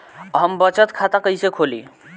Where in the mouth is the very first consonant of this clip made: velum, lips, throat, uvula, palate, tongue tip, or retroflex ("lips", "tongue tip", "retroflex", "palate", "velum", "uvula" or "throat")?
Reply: throat